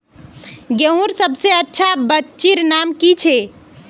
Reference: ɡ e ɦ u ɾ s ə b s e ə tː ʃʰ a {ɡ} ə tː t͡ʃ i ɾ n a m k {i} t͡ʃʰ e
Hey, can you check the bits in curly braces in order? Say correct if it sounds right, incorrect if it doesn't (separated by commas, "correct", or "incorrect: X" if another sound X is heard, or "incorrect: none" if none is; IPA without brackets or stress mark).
incorrect: b, correct